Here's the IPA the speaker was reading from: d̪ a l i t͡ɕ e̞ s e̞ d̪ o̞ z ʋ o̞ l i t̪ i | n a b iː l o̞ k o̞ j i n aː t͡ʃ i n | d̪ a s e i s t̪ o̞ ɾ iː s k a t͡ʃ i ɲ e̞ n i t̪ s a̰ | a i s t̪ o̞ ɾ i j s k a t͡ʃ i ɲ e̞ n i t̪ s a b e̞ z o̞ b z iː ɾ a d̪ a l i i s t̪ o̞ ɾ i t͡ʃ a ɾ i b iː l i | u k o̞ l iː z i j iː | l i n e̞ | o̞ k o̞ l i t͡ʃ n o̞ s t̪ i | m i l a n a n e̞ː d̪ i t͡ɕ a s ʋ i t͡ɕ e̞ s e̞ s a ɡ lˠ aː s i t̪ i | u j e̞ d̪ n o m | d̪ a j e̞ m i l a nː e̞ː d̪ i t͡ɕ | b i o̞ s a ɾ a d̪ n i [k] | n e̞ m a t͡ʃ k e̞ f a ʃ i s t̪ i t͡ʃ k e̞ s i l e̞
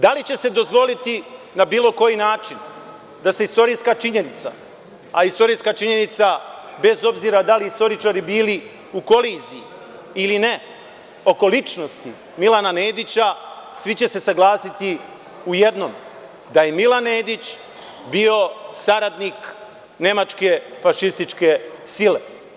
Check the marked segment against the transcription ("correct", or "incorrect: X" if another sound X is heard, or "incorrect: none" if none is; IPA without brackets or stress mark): correct